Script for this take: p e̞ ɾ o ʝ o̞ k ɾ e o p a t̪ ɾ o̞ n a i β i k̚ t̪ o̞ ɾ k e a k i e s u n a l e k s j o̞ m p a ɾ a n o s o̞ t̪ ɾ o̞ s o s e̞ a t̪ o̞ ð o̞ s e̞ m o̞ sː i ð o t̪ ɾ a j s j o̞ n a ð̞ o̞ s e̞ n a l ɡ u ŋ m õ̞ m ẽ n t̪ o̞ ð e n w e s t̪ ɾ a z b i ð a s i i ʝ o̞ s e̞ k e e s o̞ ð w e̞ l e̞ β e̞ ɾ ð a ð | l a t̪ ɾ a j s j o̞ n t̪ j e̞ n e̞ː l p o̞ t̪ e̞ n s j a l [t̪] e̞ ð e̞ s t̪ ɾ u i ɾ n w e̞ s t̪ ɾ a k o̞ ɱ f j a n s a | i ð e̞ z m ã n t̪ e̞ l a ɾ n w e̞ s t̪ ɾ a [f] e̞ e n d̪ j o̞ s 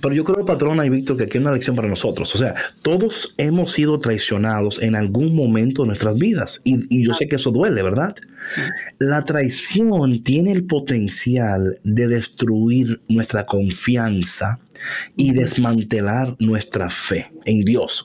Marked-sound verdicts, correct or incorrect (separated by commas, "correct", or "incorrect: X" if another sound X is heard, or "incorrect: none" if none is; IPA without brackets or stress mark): incorrect: d̪, correct